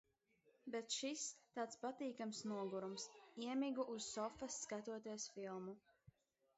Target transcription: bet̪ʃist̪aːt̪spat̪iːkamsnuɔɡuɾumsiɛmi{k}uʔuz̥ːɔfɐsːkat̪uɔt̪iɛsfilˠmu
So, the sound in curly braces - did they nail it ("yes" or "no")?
no